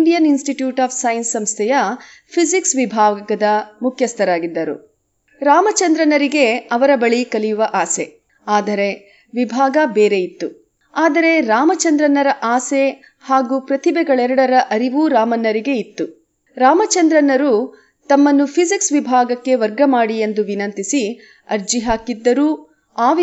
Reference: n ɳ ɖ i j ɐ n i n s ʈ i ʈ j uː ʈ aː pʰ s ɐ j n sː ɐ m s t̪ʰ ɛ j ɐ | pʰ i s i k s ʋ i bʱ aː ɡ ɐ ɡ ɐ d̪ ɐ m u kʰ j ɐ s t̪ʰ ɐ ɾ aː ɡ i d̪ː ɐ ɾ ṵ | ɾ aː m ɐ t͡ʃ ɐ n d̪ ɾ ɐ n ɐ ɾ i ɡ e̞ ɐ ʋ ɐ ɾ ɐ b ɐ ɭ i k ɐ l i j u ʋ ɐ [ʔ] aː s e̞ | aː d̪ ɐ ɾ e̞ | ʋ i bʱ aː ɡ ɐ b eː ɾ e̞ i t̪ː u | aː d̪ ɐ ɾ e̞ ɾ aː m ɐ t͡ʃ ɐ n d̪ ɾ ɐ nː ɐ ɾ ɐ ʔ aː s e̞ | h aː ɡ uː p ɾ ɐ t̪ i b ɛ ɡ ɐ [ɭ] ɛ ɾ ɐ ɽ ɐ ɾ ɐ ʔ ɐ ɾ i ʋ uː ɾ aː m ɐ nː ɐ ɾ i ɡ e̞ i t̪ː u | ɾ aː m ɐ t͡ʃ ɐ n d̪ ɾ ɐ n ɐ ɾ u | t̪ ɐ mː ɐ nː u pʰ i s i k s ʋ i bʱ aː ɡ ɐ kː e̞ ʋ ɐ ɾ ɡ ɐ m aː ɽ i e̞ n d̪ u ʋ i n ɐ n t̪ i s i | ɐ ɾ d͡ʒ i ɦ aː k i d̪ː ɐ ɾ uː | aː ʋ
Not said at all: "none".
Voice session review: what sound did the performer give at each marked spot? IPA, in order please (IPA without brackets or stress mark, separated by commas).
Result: ʔ, ɭ